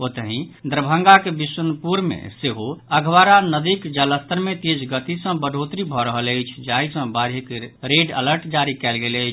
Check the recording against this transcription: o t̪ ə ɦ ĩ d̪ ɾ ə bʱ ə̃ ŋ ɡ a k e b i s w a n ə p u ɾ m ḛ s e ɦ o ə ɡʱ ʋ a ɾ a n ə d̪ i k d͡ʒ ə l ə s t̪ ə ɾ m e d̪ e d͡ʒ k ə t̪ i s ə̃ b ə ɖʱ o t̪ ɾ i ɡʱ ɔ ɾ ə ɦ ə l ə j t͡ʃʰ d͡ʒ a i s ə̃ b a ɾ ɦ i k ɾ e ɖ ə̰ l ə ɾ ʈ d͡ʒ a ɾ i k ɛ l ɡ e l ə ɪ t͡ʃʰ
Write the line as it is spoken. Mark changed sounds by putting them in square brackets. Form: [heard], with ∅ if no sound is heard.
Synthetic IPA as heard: o t̪ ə ɦ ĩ d̪ ɾ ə bʱ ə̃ ŋ ɡ a k e b i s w [ə] n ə p u ɾ m ḛ s e ɦ o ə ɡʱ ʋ a ɾ a n ə d̪ i k d͡ʒ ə l ə s t̪ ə ɾ m e [t̪] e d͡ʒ [ɡ] ə t̪ i s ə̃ b ə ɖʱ o t̪ ɾ i [bʱ] ɔ ɾ ə ɦ ə l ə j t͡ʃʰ d͡ʒ a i s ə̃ b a ɾ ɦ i k ɾ e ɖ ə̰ l ə ɾ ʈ d͡ʒ a ɾ i k ɛ l ɡ e l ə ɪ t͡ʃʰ